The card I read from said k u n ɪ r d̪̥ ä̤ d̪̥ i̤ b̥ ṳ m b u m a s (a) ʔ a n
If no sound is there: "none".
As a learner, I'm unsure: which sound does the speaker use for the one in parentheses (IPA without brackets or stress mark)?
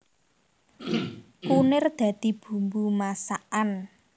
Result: a